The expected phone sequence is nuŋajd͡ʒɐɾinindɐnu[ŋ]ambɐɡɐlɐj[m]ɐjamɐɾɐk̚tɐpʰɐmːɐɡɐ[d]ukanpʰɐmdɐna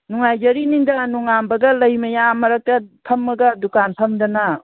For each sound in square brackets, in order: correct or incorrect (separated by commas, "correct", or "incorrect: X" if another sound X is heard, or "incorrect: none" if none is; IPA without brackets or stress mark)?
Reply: correct, correct, correct